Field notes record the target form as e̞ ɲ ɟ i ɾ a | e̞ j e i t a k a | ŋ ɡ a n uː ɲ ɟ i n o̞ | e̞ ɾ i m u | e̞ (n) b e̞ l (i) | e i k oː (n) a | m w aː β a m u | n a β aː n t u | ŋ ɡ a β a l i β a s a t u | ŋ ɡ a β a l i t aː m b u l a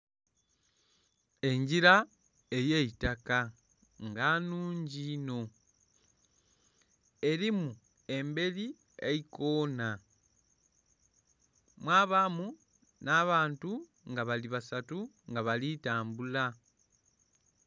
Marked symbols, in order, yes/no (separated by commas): no, yes, yes